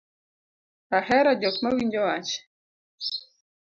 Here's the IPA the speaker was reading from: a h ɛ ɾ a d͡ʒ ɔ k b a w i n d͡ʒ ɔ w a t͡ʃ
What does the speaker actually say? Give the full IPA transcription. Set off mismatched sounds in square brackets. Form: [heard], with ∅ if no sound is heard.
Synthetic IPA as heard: a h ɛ ɾ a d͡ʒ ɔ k [m] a w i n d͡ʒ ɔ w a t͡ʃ